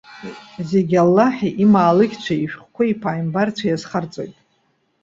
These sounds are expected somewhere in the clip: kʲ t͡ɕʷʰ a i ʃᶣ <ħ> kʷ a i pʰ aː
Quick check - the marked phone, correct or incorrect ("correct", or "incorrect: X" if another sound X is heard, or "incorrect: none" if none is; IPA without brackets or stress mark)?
incorrect: χ